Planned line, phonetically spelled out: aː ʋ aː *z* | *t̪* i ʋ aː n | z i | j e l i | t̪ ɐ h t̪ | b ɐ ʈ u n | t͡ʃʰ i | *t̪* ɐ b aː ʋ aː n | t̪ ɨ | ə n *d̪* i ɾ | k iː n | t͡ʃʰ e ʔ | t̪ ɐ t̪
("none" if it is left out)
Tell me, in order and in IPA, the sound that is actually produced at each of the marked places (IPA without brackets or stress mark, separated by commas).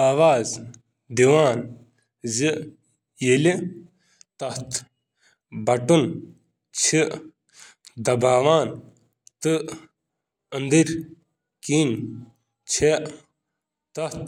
z, d̪, d̪, d̪